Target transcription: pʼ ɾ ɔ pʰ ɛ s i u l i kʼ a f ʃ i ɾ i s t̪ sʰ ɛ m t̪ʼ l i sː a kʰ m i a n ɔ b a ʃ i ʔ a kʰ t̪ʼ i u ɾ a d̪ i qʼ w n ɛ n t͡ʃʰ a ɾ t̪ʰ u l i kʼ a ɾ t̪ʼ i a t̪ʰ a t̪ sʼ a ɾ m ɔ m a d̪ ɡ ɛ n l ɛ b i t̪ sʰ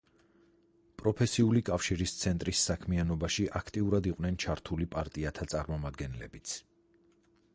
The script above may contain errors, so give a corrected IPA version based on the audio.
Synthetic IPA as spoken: pʼ ɾ ɔ pʰ ɛ s i u l i kʼ a f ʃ i ɾ i s t̪ sʰ ɛ n t̪ʼ ɾ i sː a kʰ m i a n ɔ b a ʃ i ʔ a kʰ t̪ʼ i u ɾ a d̪ i qʼ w n ɛ n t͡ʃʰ a ɾ t̪ʰ u l i pʼ a ɾ t̪ʼ i a t̪ʰ a t̪ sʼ a ɾ m ɔ m a d̪ ɡ ɛ n l ɛ b i t̪ sʰ